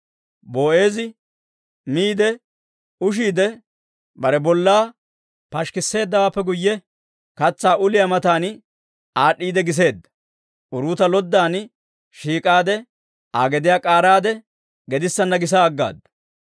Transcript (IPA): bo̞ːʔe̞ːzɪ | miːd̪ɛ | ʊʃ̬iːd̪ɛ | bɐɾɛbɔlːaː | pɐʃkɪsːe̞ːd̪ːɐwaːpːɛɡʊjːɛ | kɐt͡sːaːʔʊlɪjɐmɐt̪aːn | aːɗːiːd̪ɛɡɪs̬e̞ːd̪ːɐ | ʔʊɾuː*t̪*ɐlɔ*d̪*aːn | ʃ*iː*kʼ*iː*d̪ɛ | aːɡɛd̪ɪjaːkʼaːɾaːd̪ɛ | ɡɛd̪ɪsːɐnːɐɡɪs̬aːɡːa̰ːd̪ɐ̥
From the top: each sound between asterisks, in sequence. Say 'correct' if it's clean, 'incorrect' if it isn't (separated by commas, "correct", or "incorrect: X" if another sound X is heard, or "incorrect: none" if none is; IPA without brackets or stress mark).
correct, incorrect: d̪ː, correct, incorrect: aː